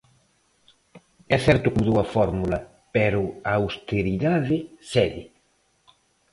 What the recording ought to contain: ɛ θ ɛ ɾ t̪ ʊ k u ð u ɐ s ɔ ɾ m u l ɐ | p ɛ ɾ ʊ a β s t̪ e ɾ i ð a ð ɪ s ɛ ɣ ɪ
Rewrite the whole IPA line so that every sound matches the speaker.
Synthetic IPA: ɛ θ ɛ ɾ t̪ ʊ k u ð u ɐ f ɔ ɾ m u l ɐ | p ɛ ɾ ʊ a w s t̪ e ɾ i ð a ð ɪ s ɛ ð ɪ

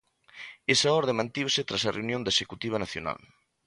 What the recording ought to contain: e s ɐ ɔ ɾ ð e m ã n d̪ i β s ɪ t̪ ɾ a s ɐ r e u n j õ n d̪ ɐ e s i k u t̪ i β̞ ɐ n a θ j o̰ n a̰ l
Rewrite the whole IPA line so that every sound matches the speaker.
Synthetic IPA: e s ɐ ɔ ɾ ð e m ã n t̪ i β s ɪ t̪ ɾ a s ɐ r e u n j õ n d̪ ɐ e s e k u t̪ i β̞ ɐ n a θ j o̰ n a̰ l

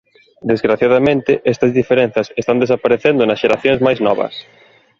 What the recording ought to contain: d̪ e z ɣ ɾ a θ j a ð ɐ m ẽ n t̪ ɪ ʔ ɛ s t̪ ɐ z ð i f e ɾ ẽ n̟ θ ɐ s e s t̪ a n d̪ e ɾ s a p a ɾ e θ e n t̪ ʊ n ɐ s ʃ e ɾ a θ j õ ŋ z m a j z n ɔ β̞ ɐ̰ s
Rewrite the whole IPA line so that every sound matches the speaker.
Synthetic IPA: d̪ e z ɣ ɾ a θ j a ð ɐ m ẽ n t̪ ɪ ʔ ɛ s t̪ ɐ z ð i f e ɾ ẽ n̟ θ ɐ s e s t̪ a n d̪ e s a p a ɾ e θ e n d̪ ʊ n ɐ s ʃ e ɾ a θ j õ ŋ z m a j z n ɔ β̞ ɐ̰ s

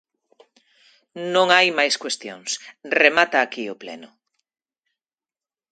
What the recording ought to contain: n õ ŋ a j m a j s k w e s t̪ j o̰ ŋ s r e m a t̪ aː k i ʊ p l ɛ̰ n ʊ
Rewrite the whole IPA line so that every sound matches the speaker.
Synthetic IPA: n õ ŋ a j m a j s k w e s t̪ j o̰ ŋ s r e m a t̪ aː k i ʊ p l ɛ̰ n ʊ

